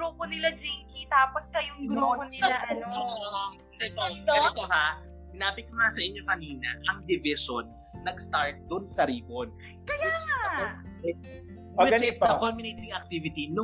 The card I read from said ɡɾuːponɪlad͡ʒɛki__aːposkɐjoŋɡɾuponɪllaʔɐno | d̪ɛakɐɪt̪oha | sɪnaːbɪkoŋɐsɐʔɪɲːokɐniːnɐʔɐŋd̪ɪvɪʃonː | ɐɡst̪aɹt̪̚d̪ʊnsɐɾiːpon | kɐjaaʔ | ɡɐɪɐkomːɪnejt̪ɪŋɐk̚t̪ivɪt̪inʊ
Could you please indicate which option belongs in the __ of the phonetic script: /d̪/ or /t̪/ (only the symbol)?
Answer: t̪